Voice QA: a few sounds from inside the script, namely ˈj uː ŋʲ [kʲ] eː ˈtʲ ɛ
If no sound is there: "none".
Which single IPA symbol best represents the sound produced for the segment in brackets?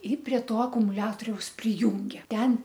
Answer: ɡʲ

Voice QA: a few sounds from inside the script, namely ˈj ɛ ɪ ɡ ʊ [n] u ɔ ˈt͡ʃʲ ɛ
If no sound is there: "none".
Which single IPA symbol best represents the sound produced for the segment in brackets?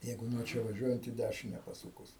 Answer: n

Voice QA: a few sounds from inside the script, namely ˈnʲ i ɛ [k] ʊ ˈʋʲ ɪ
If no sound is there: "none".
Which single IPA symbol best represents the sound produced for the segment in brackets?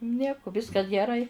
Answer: k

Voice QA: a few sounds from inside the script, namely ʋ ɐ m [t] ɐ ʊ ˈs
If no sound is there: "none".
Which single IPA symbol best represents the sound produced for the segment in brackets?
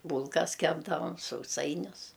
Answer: s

